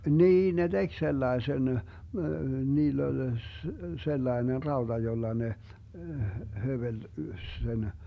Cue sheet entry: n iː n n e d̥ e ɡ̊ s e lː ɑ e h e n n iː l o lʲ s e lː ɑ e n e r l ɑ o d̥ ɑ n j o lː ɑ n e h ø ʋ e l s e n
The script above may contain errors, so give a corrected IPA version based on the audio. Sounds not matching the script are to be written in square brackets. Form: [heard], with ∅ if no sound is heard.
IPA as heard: n iː n n e d̥ e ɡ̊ s e lː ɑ e [s] e n n iː [lː] o lʲ s e lː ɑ e n e r [r] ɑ o d̥ ɑ [∅] j o lː ɑ n e h ø ʋ e l s e n